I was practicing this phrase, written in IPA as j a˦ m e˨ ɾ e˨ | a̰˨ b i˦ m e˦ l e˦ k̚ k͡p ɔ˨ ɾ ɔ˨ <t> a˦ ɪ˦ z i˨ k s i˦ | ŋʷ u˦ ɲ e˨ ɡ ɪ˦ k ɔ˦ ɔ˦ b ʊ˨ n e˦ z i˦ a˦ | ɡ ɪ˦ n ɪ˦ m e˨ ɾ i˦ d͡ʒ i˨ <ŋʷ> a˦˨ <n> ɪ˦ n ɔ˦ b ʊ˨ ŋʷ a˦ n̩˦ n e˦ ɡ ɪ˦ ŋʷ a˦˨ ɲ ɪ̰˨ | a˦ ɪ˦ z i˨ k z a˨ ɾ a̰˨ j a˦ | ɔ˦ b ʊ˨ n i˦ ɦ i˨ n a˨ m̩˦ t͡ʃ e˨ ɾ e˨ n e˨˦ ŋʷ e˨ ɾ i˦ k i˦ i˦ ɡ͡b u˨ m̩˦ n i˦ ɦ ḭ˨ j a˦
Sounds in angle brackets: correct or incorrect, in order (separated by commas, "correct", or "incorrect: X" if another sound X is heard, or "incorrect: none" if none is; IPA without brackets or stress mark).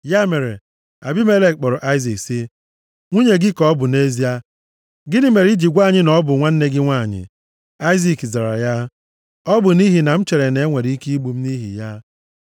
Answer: incorrect: ʔ, incorrect: ɡʷ, incorrect: ɲ